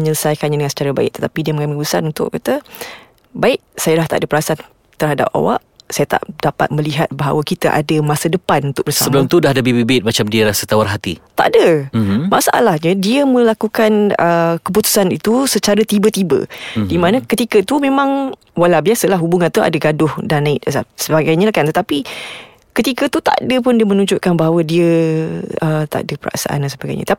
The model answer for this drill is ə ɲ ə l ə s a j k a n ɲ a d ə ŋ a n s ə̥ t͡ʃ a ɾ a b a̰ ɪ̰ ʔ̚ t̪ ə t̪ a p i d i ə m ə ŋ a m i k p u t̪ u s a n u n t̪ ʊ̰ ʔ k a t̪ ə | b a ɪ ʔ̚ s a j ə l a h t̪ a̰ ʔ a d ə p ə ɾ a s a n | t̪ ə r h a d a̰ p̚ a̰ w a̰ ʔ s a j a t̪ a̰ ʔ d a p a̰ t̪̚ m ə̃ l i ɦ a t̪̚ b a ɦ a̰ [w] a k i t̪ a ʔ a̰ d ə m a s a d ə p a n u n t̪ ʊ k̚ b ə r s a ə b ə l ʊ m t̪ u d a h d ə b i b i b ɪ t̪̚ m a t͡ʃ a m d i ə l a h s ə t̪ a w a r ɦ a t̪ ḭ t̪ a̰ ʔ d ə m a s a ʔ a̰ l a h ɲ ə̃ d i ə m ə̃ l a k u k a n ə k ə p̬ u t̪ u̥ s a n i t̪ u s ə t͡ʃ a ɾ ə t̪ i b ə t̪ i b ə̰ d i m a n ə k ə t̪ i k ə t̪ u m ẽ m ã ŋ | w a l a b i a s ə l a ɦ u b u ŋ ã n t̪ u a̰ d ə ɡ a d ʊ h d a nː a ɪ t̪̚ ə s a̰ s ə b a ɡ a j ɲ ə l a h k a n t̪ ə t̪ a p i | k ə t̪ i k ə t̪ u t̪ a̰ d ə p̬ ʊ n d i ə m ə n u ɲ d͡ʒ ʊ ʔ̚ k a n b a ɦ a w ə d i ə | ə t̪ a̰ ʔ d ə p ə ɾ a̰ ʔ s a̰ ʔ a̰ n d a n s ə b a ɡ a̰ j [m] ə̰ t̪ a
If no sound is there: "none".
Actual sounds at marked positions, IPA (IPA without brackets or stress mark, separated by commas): w, ɲ